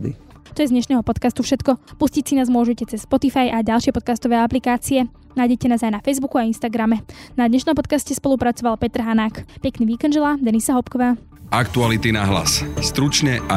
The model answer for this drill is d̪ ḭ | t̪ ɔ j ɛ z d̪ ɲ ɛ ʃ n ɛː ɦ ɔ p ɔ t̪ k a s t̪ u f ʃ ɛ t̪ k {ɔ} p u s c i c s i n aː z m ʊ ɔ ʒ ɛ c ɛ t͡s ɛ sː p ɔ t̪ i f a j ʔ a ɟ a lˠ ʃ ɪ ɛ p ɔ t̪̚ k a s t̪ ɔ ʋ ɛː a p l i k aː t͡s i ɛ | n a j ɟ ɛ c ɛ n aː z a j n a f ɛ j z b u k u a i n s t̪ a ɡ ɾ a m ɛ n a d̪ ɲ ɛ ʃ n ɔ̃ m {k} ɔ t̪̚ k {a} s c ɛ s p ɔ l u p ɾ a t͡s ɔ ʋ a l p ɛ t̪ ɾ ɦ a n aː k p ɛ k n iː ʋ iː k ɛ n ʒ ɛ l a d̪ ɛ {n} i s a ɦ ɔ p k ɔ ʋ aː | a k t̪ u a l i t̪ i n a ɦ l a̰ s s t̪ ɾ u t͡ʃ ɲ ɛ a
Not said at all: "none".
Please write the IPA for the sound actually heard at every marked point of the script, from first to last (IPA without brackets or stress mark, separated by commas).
ɔ, p, a, n